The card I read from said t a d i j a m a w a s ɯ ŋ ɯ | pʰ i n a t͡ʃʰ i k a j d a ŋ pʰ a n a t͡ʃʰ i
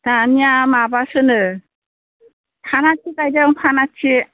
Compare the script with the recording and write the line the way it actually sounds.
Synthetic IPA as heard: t a n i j a m a b a s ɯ n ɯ | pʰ a n a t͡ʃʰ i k a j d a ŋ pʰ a n a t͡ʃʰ i